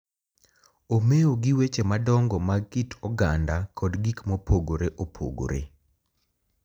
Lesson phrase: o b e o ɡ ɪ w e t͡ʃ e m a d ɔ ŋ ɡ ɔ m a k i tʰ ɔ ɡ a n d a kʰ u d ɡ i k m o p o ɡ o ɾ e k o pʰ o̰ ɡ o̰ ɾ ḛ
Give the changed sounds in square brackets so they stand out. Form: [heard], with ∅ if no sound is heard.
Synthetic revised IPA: o [m] e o ɡ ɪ w e t͡ʃ e m a d ɔ ŋ ɡ ɔ m a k i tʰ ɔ ɡ a n d a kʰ [ɔ] d ɡ i k m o p o ɡ o ɾ e [ʔ] o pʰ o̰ ɡ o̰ ɾ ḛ